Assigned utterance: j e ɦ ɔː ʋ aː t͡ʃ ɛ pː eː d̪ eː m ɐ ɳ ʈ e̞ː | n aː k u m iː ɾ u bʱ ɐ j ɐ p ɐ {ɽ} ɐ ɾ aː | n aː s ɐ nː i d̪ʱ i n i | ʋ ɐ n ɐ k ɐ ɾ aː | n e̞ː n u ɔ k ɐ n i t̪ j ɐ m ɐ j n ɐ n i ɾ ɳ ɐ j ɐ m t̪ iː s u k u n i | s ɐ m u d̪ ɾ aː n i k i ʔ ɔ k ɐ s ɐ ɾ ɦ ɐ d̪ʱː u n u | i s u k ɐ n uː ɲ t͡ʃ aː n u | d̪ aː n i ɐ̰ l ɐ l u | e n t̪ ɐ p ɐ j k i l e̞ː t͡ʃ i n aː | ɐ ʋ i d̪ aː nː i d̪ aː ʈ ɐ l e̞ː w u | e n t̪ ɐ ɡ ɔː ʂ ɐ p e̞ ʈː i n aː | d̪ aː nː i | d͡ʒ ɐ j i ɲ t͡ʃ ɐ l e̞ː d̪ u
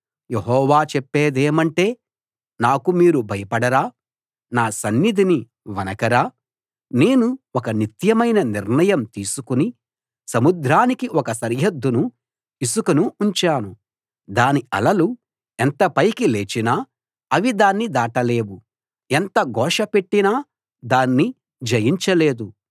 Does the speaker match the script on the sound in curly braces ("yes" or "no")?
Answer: yes